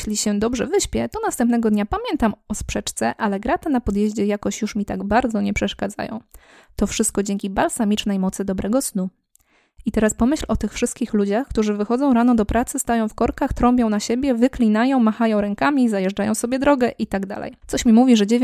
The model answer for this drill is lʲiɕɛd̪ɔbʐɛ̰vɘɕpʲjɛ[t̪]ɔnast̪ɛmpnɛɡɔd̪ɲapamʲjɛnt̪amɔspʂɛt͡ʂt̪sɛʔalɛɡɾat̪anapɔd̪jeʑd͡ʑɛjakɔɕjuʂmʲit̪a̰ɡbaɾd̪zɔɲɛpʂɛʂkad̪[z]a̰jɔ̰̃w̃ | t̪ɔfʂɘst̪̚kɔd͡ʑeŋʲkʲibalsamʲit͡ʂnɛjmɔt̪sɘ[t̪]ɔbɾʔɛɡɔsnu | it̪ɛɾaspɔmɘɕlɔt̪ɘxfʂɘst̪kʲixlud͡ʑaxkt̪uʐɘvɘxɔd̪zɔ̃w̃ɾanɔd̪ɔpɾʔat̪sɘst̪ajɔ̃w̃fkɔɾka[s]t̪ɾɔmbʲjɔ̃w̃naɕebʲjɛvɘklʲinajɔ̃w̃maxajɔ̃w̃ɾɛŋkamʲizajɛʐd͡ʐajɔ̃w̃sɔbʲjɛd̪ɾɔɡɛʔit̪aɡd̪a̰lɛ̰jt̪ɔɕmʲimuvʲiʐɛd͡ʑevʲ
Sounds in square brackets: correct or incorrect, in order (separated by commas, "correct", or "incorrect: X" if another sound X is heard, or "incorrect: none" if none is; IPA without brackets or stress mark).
correct, correct, incorrect: d̪, incorrect: x